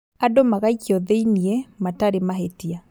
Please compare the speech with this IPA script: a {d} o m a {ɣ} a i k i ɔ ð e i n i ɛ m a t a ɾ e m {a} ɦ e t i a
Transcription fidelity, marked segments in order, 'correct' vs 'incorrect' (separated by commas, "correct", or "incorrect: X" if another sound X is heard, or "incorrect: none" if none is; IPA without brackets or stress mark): correct, correct, correct